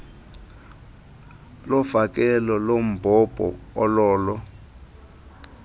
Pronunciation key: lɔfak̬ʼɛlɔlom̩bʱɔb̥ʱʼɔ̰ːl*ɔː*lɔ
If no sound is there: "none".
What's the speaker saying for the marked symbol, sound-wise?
ɔː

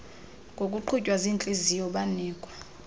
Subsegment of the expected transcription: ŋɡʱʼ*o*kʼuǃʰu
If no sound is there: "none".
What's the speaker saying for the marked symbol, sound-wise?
o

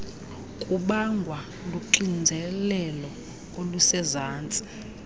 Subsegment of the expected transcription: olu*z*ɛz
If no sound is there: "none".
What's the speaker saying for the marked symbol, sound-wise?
s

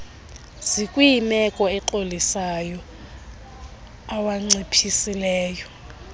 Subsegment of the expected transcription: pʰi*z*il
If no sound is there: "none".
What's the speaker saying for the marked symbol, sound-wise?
s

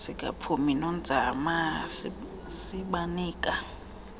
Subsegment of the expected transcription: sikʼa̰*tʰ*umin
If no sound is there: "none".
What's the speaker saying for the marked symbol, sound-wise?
pʰ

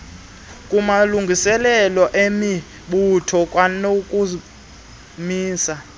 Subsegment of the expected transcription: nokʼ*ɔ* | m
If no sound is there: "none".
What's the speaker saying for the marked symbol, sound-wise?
u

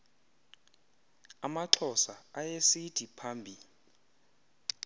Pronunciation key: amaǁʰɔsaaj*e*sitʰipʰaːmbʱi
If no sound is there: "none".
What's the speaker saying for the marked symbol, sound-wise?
e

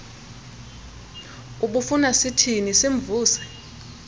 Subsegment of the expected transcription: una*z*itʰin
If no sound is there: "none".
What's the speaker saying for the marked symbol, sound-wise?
s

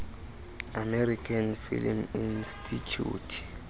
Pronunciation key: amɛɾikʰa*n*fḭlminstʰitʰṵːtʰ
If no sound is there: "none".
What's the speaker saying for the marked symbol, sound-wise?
n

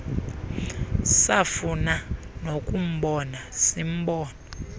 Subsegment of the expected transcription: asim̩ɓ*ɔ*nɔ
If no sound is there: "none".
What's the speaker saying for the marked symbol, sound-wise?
ɔː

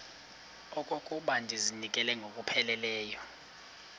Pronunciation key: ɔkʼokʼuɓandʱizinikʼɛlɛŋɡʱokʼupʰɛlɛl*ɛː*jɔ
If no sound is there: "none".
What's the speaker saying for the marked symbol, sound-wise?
ɛː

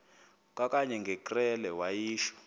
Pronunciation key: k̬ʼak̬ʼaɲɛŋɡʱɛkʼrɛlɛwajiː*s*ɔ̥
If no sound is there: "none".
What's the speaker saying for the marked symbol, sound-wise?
ʃ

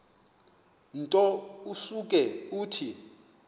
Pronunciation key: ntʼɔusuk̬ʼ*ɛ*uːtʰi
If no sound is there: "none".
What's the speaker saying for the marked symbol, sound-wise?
ɛ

